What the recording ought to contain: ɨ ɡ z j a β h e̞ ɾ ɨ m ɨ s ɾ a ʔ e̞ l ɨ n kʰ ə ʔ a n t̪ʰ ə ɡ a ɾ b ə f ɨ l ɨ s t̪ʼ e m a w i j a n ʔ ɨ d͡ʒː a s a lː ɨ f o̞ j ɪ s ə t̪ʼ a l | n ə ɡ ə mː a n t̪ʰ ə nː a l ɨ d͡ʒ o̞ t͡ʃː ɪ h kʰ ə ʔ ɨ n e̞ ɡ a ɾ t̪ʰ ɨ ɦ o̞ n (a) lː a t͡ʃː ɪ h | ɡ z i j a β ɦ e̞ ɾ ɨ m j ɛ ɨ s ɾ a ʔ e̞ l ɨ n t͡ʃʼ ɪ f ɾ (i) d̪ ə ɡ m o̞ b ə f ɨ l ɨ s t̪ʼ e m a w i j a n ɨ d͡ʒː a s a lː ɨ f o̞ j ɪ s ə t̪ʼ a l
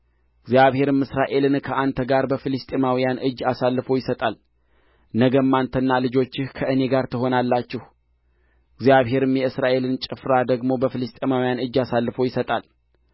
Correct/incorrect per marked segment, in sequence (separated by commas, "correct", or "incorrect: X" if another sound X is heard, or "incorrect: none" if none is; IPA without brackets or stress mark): correct, incorrect: a